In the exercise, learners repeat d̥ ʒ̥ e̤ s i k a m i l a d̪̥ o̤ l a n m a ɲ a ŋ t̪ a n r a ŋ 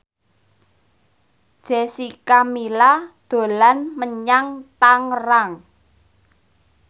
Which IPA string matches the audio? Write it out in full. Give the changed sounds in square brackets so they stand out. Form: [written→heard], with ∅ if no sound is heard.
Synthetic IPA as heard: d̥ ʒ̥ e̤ s i k a m i l a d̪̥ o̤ l a n m [a→ə] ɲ a ŋ t̪ a [n→ŋ] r a ŋ